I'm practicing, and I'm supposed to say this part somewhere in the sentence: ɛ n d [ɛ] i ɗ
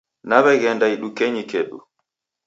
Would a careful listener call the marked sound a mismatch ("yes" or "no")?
yes